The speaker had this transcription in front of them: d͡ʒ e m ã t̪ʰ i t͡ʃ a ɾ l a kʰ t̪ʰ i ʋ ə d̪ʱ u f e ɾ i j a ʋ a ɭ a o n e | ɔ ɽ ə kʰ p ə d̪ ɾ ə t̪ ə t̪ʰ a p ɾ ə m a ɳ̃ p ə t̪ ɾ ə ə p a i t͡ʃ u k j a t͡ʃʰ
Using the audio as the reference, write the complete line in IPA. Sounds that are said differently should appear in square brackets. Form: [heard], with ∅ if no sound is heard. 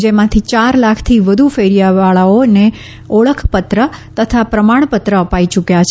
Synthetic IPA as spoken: d͡ʒ e m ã t̪ʰ i t͡ʃ a ɾ l a kʰ t̪ʰ i ʋ ə d̪ʱ u f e ɾ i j a ʋ a ɭ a o n e | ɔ [ɭ] ə kʰ p ə [t̪] ɾ ə t̪ ə t̪ʰ a p ɾ ə m a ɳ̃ p ə t̪ ɾ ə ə p a i t͡ʃ u k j a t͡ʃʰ